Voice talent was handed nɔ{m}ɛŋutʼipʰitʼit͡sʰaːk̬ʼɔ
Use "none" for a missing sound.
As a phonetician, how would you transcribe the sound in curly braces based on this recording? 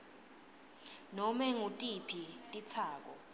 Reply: m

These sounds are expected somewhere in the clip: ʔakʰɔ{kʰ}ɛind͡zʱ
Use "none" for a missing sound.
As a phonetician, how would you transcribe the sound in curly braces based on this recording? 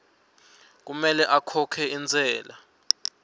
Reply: kʰ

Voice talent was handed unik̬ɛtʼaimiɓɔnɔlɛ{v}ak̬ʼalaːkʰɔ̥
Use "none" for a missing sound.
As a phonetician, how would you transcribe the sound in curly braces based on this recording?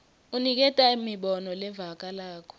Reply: v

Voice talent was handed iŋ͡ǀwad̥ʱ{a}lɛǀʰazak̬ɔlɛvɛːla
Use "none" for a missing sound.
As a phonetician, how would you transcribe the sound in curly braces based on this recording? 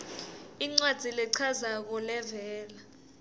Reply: i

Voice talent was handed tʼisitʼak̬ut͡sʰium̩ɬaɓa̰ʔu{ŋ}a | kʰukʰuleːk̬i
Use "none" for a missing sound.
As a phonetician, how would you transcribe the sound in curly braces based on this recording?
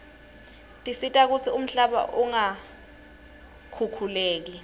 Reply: ŋ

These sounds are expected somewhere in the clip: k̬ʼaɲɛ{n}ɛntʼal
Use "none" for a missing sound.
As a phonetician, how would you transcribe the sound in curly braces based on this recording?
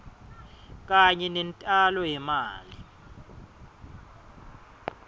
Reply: n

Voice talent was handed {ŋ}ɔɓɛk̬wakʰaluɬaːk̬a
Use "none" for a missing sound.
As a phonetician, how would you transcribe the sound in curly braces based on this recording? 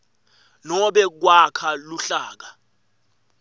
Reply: n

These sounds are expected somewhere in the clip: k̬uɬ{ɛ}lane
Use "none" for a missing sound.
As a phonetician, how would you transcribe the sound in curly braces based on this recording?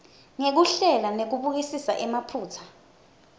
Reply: ɛ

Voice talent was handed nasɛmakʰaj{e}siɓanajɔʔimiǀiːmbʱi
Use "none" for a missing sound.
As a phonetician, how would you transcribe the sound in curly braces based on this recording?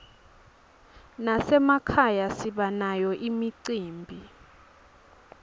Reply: a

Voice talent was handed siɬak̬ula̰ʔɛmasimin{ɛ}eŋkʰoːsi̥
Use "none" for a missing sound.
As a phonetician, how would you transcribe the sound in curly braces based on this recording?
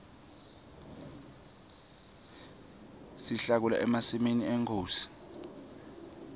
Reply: i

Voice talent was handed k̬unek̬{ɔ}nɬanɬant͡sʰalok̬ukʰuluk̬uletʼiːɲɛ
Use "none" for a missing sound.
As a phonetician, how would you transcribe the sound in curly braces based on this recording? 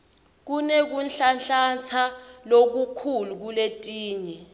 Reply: u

